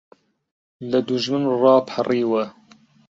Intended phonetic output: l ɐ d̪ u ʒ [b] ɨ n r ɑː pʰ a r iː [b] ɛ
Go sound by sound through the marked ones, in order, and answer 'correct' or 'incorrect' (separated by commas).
incorrect, incorrect